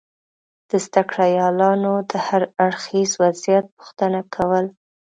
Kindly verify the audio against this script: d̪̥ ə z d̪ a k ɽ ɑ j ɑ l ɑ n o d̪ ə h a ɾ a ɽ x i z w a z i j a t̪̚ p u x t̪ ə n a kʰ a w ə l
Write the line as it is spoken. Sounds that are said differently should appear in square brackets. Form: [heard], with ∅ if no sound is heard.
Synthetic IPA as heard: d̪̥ ə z d̪ a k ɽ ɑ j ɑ l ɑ n o d̪ ə h a ɾ a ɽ x i z w a z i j a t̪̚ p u x t̪ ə n a kʰ a w ə l